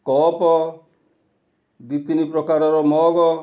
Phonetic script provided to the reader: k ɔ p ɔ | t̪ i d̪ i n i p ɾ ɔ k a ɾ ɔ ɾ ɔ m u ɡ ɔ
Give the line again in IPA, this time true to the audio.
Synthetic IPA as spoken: k ɔ p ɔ | d̪ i t̪ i n i p ɾ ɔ k a ɾ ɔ ɾ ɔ m ɔ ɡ ɔ